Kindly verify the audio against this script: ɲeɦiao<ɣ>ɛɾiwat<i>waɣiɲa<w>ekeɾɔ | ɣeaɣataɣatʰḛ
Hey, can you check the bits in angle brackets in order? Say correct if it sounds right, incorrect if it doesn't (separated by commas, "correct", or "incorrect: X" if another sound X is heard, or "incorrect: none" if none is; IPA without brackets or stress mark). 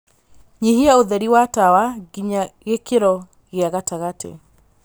incorrect: ð, incorrect: a, incorrect: ɣ